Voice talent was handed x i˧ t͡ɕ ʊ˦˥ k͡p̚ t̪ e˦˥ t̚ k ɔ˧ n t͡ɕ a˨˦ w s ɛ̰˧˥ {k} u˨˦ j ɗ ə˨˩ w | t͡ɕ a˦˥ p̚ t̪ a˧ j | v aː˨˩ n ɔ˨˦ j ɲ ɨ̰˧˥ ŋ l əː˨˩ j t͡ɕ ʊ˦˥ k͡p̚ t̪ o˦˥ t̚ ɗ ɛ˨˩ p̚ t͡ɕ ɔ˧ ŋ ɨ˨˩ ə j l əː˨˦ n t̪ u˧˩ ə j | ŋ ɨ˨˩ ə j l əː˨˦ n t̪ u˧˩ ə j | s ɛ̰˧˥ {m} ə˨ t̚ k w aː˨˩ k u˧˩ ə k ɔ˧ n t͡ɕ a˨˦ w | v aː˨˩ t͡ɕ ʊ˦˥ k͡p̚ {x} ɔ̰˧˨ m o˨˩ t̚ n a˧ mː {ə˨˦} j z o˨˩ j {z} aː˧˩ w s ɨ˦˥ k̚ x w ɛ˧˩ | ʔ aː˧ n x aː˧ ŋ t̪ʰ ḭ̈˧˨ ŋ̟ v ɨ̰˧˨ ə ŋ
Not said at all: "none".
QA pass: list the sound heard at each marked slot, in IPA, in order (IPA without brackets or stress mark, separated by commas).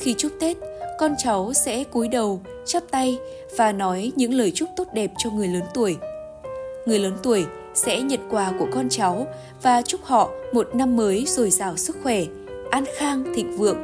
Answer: k, ɲ, h, əː˨˦, z